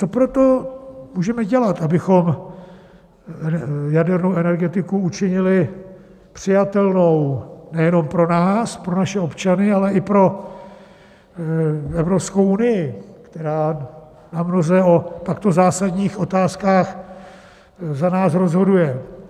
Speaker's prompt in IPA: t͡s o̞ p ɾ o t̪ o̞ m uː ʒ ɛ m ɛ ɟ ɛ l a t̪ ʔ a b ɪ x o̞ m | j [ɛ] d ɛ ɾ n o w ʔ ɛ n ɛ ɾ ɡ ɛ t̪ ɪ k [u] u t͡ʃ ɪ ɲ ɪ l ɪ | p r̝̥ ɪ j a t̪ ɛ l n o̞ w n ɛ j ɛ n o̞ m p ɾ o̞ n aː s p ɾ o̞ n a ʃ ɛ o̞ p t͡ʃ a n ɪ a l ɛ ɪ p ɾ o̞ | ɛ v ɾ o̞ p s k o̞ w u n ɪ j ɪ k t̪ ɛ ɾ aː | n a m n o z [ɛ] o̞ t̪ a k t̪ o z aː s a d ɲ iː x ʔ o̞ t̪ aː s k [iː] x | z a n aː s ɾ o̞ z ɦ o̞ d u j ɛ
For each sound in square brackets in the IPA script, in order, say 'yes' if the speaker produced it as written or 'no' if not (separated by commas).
no, yes, yes, no